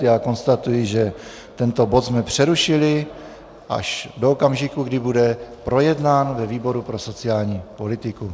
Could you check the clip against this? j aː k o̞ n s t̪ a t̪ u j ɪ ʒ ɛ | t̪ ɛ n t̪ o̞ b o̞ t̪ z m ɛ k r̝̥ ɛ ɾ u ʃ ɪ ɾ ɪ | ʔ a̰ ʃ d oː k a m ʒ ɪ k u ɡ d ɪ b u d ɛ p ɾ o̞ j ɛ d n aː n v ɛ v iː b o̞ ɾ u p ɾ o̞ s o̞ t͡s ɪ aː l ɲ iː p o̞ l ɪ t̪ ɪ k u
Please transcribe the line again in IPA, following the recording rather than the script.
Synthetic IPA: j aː k o̞ n s t̪ a t̪ u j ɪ ʒ ɛ | t̪ ɛ n t̪ o̞ b o̞ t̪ z m ɛ p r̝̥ ɛ ɾ u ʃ ɪ l ɪ | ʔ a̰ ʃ d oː k a m ʒ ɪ k u ɡ d ɪ b u d ɛ p ɾ o̞ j ɛ d n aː n v ɛ v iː b o̞ ɾ u p ɾ o̞ s o̞ t͡s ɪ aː l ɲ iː p o̞ l ɪ t̪ ɪ k u